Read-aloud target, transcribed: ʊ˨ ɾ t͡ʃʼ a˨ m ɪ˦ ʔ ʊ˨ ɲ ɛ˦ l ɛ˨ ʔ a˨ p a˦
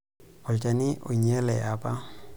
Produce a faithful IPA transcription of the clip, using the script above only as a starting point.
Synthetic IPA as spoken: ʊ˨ l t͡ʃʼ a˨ n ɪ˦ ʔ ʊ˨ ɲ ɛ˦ l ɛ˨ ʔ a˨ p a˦